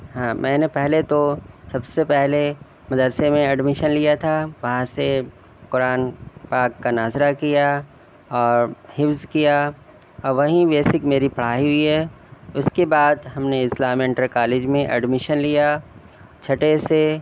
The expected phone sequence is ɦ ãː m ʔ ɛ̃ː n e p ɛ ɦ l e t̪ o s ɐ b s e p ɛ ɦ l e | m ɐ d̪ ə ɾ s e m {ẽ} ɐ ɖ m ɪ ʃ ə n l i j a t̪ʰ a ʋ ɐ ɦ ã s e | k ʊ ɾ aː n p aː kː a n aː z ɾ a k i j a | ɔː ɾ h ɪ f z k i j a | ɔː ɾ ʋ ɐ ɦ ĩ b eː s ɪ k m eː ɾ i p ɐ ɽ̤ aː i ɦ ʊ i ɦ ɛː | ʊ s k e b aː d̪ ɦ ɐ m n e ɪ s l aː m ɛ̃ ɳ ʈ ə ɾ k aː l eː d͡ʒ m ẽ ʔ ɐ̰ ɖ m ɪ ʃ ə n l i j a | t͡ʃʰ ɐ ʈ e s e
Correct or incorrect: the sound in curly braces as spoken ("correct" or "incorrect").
correct